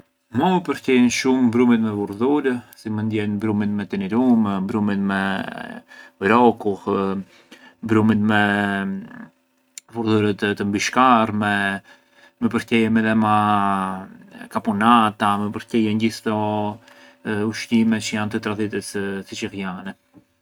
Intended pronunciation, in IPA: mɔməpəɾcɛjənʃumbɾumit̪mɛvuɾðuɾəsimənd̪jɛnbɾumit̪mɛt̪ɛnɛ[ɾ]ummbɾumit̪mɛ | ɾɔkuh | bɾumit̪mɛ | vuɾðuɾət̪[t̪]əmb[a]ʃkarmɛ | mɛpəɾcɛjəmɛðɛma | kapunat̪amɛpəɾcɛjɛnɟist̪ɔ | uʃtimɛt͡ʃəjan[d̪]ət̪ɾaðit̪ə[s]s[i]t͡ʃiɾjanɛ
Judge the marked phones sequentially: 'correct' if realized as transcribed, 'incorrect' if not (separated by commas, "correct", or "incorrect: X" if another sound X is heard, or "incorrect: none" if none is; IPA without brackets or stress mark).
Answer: correct, correct, incorrect: i, incorrect: t̪, correct, correct